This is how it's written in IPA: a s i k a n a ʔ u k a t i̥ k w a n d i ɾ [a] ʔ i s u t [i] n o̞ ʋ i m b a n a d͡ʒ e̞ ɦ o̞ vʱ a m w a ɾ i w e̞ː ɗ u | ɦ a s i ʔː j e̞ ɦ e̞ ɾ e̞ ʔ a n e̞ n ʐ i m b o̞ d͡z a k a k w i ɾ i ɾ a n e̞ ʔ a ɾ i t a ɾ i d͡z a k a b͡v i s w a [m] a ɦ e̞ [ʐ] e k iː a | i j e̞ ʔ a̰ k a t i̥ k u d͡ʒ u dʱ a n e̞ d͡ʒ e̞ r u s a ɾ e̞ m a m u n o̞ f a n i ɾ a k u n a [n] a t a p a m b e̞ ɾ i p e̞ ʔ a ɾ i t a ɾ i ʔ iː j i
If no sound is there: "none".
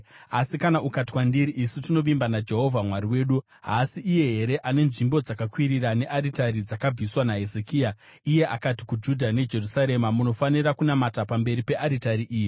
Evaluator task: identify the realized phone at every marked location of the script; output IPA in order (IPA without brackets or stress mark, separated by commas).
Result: i, i, n, z, m